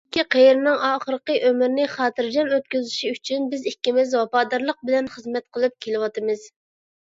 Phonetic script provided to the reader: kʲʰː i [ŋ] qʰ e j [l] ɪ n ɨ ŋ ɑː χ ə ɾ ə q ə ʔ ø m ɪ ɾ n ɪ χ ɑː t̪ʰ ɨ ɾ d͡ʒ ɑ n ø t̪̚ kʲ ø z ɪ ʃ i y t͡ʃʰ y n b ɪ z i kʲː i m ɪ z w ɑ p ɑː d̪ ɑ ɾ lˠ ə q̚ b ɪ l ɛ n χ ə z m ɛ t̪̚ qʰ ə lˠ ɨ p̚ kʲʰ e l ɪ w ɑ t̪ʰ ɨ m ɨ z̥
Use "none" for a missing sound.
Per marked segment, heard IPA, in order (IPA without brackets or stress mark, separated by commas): none, ɾ